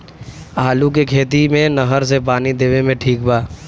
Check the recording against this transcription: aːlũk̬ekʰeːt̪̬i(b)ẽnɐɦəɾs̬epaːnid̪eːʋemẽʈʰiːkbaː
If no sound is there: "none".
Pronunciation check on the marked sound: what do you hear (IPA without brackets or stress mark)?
m